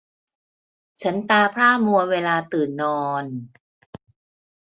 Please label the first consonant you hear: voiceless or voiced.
voiceless